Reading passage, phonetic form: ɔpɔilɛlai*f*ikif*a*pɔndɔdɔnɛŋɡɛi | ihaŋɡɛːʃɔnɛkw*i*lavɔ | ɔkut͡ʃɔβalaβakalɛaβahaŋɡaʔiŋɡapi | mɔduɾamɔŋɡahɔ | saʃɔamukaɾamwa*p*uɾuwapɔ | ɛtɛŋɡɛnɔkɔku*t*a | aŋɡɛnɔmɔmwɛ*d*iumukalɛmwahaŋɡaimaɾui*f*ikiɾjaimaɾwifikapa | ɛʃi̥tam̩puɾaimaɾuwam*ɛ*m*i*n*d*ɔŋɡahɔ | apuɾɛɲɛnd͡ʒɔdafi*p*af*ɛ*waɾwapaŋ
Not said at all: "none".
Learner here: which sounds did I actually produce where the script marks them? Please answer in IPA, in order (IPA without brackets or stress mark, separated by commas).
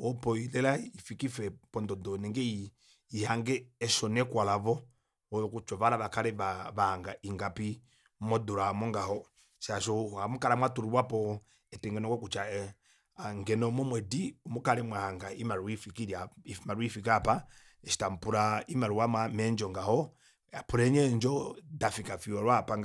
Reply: f, ɛ, a, t, t͡ʃ, d, f, a, ɛ, d͡ʒ, k, i